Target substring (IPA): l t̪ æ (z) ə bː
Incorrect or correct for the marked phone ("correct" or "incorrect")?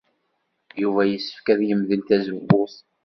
correct